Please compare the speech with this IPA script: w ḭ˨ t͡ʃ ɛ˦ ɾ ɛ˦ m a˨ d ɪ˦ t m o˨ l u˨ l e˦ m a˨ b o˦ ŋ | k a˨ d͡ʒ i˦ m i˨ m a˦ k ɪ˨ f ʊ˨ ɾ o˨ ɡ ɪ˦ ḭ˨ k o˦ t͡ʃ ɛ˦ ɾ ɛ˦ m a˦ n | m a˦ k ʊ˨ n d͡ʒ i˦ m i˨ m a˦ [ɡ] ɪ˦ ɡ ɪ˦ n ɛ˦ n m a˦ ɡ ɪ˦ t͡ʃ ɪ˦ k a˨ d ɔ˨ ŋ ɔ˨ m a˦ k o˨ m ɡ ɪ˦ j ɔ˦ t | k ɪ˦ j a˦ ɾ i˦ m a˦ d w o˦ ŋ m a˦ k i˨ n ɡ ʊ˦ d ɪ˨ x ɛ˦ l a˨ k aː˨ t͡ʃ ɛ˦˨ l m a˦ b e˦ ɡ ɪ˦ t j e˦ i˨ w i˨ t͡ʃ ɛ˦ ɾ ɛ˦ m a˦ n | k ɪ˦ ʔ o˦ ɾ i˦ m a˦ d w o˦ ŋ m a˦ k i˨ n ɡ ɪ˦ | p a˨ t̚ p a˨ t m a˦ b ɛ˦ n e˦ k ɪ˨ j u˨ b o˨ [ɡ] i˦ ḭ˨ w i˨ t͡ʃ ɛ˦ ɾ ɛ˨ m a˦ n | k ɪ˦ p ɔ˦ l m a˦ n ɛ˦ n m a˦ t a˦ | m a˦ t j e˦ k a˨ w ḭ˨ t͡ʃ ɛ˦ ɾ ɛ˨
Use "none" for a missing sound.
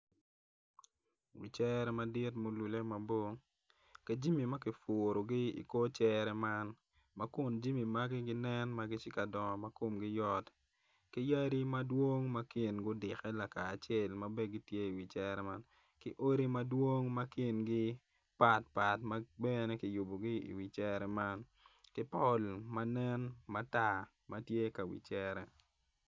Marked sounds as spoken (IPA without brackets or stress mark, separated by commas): ɡ, ɡ